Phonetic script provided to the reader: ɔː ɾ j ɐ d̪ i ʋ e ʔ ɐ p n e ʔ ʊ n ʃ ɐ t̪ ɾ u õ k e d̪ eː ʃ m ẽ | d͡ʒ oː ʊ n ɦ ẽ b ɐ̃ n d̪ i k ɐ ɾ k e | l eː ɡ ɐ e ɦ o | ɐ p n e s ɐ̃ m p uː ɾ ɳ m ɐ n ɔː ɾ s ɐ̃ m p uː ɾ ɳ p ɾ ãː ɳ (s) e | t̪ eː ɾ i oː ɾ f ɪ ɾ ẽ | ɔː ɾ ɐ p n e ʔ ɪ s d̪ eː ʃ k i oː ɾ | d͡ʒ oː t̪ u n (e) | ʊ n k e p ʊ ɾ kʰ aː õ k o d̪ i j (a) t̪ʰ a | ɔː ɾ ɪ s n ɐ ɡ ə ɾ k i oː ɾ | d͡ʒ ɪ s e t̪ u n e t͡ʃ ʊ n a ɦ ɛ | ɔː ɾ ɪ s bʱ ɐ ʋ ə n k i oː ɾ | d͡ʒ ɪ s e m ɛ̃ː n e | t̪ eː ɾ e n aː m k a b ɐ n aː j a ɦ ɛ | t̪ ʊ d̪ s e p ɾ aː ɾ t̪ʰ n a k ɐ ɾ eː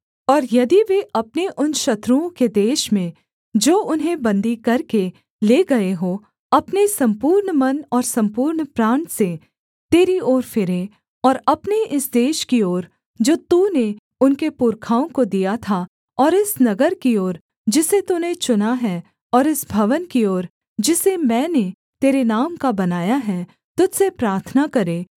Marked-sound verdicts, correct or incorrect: correct, correct, correct

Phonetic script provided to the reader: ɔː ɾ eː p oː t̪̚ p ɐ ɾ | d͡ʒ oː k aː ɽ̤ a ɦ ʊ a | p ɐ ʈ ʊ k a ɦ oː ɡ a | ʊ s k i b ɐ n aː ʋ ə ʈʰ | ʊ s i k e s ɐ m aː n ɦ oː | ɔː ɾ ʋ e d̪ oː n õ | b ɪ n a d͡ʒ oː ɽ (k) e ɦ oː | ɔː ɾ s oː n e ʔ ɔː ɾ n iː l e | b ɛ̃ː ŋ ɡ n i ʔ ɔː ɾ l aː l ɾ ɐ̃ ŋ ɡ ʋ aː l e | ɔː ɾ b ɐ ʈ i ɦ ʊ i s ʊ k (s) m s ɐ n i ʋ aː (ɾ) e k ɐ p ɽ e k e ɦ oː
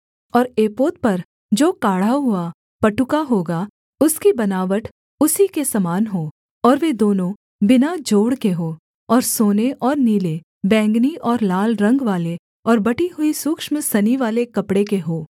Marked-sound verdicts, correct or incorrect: correct, incorrect: ʃ, incorrect: l

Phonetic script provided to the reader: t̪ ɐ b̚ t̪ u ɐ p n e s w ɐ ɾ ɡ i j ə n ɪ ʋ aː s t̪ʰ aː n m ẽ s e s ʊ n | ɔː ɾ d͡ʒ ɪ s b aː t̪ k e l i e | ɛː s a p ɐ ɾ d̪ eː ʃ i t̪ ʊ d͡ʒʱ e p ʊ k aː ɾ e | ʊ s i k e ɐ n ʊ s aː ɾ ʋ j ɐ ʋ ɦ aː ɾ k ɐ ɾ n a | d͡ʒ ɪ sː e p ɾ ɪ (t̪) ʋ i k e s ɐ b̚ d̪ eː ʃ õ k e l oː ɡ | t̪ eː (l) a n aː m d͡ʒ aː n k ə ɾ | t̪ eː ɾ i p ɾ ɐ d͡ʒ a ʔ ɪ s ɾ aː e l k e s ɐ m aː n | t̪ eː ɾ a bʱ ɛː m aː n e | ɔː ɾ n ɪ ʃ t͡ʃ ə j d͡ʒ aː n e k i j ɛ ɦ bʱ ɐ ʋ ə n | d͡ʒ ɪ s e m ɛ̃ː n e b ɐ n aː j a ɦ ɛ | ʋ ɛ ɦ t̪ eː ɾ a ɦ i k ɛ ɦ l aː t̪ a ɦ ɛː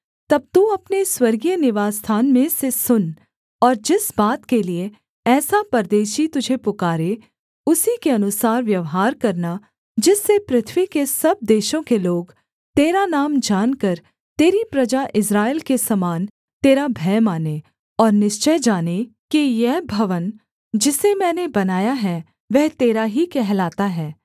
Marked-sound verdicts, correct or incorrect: incorrect: t̪ʰ, incorrect: ɾ

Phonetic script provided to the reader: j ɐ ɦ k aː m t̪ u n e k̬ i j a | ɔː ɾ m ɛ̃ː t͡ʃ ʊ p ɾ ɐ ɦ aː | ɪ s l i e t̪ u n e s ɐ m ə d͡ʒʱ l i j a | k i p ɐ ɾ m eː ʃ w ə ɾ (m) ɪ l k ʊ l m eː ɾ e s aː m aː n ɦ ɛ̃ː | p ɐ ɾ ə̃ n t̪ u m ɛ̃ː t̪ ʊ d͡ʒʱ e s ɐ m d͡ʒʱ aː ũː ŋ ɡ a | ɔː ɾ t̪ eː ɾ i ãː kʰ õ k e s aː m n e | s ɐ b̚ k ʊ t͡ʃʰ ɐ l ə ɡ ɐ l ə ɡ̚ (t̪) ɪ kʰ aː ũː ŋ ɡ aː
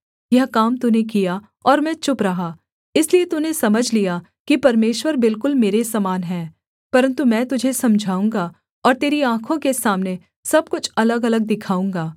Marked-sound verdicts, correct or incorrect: incorrect: b, incorrect: d̪

